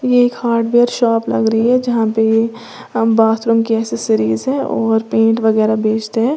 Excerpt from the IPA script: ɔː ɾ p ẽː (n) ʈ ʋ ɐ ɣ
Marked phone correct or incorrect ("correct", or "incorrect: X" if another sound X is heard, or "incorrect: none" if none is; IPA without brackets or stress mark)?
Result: incorrect: ɳ